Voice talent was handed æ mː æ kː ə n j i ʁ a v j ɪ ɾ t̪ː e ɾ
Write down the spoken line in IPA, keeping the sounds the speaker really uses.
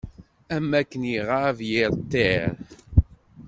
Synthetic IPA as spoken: æ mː æ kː ə n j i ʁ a v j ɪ ɾ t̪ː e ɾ